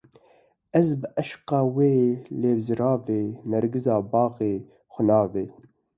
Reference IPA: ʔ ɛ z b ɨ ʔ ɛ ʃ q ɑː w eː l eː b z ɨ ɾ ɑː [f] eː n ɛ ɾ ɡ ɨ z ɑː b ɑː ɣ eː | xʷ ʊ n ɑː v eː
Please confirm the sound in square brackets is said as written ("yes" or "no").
no